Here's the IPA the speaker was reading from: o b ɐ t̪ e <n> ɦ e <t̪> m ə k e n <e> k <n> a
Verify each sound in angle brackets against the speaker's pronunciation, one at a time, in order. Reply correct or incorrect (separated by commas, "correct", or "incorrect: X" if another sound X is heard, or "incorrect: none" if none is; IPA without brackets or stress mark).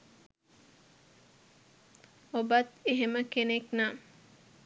incorrect: none, incorrect: none, correct, correct